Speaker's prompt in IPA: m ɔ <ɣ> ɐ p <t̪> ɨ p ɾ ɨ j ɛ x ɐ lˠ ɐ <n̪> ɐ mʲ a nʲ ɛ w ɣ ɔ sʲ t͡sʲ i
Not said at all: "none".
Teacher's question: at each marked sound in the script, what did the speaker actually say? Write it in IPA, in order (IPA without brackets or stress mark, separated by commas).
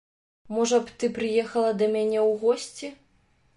ʐ, t̪, d̪